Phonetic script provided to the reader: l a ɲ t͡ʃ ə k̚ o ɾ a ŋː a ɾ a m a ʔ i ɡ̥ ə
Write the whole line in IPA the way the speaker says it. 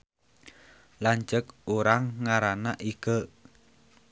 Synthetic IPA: l a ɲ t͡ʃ ə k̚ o ɾ a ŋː a ɾ a n a ʔ i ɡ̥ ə